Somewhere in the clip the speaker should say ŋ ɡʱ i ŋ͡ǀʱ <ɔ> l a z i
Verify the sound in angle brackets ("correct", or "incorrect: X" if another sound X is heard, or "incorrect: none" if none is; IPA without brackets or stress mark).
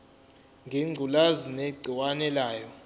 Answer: incorrect: u